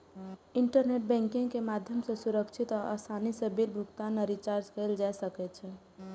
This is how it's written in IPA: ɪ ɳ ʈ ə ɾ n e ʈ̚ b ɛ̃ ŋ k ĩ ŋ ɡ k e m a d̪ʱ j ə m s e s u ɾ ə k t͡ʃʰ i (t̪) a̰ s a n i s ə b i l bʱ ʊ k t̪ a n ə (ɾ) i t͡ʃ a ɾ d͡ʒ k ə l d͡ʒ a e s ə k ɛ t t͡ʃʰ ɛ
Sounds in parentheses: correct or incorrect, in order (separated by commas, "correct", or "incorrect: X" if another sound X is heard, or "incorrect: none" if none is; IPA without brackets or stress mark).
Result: correct, correct